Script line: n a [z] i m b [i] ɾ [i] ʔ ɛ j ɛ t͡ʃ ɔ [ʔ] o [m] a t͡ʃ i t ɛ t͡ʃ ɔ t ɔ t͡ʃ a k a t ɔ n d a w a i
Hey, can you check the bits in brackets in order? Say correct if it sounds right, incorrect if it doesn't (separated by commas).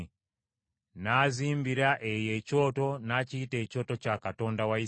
correct, correct, incorrect, incorrect, incorrect